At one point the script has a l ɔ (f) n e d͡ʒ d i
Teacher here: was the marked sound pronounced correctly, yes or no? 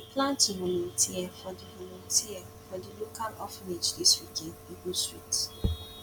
yes